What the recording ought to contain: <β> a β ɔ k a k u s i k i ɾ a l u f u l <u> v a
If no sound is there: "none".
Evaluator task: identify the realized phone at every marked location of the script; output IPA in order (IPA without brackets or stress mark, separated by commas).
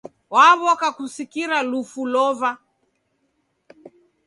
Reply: w, ɔ